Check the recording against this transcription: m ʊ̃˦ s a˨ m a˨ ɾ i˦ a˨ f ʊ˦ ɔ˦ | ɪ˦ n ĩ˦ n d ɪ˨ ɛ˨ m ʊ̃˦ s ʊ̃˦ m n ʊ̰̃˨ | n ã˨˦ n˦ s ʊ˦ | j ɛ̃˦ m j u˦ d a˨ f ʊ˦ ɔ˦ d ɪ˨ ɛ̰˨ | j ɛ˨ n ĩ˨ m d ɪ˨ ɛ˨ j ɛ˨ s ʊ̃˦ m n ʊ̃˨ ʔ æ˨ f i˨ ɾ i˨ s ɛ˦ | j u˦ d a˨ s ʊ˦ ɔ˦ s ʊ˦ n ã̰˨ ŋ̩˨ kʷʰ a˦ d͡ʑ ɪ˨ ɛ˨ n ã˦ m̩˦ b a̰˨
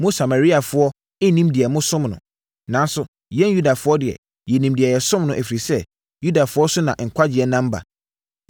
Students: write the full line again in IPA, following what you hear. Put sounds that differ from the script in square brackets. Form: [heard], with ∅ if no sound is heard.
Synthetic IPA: m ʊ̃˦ s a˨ m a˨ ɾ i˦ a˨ f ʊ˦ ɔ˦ | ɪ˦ n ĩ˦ [m] d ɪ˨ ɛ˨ m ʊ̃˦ s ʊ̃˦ m n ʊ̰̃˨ | n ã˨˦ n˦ s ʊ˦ | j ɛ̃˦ [n] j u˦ d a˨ f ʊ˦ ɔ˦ d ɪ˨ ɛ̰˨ | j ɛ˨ n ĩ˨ m d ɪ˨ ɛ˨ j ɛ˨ s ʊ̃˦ m n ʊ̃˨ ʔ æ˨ f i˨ ɾ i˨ s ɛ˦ | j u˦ d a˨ [f] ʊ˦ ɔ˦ s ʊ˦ n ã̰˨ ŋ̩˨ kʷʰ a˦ d͡ʑ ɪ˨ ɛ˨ n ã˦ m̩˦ b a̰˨